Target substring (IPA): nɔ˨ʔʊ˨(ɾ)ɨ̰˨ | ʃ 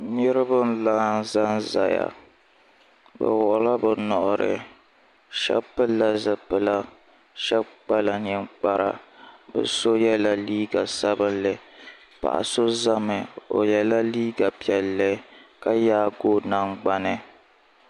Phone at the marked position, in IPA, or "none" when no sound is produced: ɾ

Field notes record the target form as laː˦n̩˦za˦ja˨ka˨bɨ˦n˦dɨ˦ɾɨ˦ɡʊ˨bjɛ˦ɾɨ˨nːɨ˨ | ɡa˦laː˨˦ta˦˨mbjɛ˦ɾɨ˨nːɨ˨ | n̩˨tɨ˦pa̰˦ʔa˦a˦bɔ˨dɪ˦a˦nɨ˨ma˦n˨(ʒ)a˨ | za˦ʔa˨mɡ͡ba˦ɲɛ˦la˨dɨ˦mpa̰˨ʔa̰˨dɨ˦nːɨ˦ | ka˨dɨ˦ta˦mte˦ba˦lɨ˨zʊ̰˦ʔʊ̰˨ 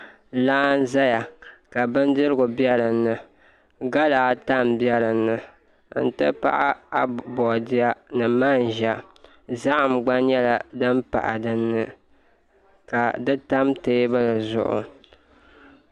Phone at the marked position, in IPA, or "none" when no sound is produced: ʒ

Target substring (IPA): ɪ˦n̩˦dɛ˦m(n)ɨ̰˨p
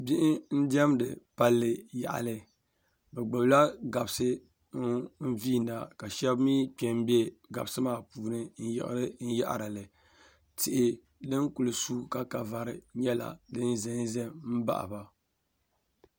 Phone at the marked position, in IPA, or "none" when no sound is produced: d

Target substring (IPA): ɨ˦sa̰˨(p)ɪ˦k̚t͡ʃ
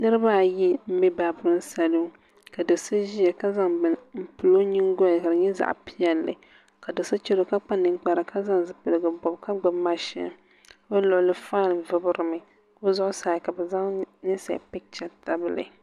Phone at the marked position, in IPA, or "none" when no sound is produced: p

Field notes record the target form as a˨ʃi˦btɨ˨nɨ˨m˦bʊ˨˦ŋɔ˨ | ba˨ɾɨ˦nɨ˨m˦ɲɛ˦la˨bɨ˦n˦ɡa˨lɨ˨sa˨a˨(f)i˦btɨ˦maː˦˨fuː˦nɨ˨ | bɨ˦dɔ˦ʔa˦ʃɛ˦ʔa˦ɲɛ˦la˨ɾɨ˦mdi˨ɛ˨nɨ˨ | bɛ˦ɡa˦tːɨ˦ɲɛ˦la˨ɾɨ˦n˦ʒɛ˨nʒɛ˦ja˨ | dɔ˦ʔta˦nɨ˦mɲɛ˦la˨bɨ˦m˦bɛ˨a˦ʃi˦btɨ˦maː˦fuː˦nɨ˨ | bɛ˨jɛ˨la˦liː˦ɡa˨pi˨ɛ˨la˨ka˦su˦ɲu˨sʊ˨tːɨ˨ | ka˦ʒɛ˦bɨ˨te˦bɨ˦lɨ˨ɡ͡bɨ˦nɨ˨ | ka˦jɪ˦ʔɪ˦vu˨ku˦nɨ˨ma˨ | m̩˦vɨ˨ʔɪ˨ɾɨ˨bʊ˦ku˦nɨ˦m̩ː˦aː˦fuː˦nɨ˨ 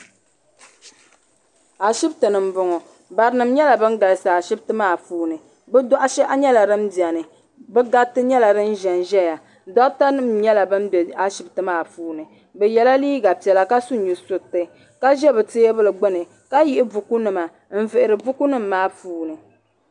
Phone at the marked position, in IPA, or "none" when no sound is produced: ʃ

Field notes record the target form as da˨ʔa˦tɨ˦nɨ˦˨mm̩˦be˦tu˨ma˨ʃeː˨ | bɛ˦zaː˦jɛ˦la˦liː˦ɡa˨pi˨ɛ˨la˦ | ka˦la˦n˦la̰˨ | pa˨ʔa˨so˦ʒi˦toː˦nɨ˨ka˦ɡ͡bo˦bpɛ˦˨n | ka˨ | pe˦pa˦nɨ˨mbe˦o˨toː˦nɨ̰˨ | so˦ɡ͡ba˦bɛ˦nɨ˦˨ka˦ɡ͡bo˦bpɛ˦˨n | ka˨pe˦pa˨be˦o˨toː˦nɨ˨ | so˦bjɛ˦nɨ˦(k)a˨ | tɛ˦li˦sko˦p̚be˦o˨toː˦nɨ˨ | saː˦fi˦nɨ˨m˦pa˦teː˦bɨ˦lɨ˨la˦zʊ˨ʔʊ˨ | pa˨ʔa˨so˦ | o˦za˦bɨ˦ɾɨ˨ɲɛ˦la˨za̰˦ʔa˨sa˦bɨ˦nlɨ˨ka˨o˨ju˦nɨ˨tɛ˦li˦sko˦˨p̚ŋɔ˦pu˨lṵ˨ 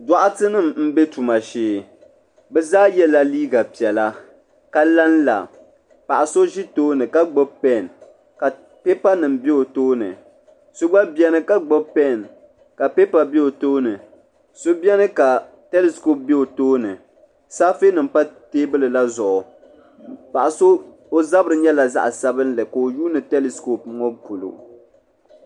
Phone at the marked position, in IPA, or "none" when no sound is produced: k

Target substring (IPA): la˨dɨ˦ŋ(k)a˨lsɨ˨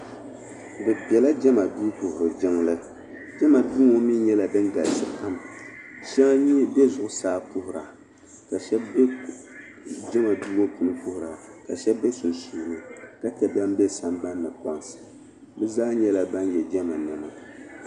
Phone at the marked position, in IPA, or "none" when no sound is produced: ɡ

